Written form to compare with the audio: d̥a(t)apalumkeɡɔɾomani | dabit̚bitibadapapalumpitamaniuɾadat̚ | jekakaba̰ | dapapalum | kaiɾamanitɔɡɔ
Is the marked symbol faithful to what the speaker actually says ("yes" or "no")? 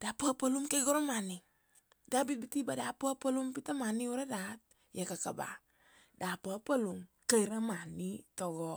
no